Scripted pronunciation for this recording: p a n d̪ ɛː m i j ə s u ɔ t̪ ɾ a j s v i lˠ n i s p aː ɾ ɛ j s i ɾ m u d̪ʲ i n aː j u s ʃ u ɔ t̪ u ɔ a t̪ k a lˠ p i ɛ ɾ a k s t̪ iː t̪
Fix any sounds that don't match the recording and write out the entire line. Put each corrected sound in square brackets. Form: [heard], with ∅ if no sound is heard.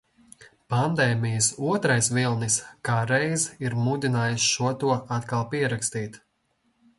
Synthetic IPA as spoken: p a n d̪ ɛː m i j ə s u ɔ t̪ ɾ a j s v i lˠ n i s [k] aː ɾ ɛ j [z] i ɾ m u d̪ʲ i n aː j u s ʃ u ɔ t̪ u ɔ a t̪ k a lˠ p i ɛ ɾ a k s t̪ iː t̪